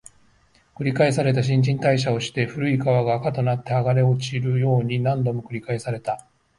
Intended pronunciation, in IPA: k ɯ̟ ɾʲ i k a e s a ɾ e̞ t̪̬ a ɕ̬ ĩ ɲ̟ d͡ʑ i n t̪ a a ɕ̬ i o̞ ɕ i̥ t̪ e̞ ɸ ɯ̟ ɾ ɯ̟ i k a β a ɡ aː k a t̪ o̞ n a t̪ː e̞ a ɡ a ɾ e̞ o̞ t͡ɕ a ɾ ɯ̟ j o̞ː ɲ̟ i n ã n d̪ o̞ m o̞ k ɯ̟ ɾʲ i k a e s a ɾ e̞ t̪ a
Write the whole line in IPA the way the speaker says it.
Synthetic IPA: k ɯ̟ ɾʲ i k a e s a ɾ e̞ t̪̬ a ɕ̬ ĩ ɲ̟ d͡ʑ ĩ n t̪ a i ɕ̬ a o̞ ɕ i̥ t̪ e̞ ɸ ɯ̟ ɾ ɯ̟ i k a β a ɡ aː k a t̪ o̞ n a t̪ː e̞ a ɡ a ɾ e̞ o̞ t͡ɕ i ɾ ɯ̟ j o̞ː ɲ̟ i n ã n d̪ o̞ m o̞ k ɯ̟ ɾʲ i k a e s a ɾ e̞ t̪ a